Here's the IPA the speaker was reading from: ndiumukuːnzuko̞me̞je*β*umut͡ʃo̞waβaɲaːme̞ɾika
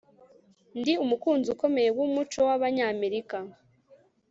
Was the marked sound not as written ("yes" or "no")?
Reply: yes